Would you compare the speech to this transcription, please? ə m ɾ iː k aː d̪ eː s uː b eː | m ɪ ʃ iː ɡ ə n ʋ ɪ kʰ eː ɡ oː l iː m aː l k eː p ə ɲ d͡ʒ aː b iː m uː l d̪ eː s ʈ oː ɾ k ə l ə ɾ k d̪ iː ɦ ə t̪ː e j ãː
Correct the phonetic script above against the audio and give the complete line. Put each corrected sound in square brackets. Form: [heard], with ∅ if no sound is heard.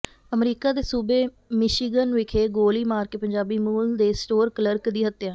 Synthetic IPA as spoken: ə m ɾ iː k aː d̪ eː s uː b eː | m ɪ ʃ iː ɡ ə n ʋ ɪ kʰ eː ɡ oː l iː m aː [ɾ] k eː p ə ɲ d͡ʒ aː b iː m uː l d̪ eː s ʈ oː ɾ k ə l ə ɾ k d̪ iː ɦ ə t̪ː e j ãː